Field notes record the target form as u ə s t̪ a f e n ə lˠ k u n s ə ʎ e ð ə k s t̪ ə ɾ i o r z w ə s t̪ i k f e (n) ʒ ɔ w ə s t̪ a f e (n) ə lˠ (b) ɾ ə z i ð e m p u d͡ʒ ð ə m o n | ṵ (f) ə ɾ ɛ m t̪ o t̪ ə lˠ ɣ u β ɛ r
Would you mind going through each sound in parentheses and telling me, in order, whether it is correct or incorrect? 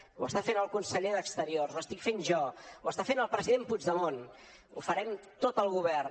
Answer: correct, correct, incorrect: p, correct

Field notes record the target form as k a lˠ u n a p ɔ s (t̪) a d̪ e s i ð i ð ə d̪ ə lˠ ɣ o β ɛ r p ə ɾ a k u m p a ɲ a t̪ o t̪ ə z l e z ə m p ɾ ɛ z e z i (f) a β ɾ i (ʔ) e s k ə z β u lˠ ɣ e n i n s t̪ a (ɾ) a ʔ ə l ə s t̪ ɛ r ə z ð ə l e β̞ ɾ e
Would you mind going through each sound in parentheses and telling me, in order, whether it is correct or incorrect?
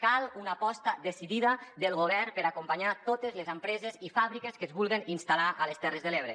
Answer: correct, correct, incorrect: k, incorrect: l

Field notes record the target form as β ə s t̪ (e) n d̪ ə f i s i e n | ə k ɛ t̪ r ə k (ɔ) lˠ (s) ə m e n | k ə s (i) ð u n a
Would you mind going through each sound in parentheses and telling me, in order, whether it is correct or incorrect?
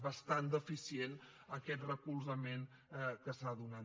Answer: incorrect: a, incorrect: u, incorrect: z, incorrect: a

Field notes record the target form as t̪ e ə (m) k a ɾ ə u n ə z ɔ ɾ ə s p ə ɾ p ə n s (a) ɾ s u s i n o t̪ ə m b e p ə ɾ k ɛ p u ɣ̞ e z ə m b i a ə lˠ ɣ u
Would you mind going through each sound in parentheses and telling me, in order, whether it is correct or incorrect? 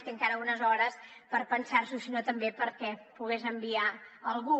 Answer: incorrect: ŋ, correct

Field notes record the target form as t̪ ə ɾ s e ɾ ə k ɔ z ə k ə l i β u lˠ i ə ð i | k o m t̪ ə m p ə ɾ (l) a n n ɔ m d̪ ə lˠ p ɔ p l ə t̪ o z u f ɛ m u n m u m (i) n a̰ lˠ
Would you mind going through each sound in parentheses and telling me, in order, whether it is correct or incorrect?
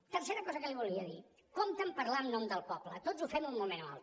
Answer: correct, incorrect: e

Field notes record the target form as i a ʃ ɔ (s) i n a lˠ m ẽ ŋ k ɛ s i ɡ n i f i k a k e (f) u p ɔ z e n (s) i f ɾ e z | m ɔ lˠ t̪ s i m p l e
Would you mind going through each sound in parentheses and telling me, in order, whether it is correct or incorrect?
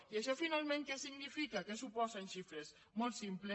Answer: incorrect: f, incorrect: s, incorrect: ʃ

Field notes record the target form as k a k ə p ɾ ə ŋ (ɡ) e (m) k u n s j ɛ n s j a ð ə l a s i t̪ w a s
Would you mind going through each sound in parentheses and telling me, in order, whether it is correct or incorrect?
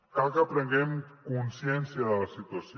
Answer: correct, correct

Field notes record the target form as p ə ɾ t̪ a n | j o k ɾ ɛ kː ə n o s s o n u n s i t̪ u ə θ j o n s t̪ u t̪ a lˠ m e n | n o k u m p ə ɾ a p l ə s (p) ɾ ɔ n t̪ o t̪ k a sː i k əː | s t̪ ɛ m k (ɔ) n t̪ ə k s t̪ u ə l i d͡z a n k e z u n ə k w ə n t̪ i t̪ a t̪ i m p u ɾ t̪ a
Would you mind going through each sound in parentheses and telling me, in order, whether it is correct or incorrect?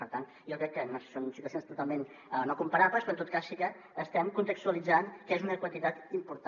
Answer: correct, incorrect: u

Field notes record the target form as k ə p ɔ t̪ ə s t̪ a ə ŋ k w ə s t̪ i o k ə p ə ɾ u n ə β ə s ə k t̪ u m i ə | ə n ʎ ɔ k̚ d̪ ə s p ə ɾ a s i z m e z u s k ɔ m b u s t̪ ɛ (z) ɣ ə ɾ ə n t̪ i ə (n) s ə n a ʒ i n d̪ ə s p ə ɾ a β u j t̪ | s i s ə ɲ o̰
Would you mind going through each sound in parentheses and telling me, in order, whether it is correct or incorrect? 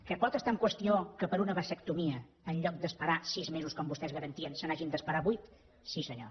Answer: correct, correct

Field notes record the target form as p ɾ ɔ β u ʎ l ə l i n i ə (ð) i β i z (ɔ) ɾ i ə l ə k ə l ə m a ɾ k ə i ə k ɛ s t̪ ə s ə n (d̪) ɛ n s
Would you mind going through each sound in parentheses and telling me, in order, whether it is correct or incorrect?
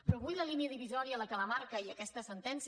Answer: correct, correct, incorrect: t̪

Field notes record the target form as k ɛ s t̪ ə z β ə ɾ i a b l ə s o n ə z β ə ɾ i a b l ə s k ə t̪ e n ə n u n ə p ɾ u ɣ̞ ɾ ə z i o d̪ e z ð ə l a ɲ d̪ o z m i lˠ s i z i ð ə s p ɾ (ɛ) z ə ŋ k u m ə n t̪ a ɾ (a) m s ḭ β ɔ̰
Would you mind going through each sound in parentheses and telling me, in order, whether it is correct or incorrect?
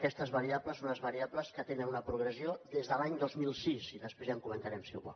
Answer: incorrect: e, incorrect: ɛ

